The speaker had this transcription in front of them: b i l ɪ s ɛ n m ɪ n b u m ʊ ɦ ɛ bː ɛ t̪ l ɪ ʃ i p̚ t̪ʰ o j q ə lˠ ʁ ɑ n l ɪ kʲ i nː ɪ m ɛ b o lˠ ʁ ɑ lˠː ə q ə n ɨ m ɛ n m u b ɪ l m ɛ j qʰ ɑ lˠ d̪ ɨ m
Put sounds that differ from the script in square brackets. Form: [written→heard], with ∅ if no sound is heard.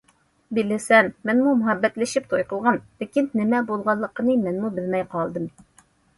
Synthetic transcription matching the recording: b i l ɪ s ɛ n m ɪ n [b→m] u m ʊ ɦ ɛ bː ɛ t̪ l ɪ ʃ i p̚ t̪ʰ o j q ə lˠ ʁ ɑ n l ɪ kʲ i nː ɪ m ɛ b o lˠ ʁ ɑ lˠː ə q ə n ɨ m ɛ n m u b ɪ l m ɛ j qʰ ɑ lˠ d̪ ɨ m